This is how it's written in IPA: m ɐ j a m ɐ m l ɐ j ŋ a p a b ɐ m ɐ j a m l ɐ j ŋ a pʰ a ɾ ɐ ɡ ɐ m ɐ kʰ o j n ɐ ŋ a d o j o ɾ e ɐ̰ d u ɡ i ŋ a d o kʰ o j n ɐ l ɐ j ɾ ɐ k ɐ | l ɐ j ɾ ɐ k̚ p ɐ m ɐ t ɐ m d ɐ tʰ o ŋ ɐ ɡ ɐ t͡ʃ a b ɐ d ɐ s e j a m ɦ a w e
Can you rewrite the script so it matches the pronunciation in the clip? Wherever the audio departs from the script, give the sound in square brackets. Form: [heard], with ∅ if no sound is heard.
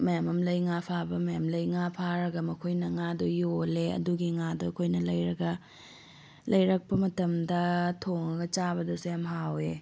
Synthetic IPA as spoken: m ɐ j a m ɐ m l ɐ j ŋ a [pʰ] a b ɐ m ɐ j a m l ɐ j ŋ a pʰ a ɾ ɐ ɡ ɐ m ɐ kʰ o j n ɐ ŋ a d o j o [l] e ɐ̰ d u ɡ i ŋ a d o kʰ o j n ɐ l ɐ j ɾ ɐ [ɡ] ɐ | l ɐ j ɾ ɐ k̚ p ɐ m ɐ t ɐ m d ɐ tʰ o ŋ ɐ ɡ ɐ t͡ʃ a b ɐ d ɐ s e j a m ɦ a w e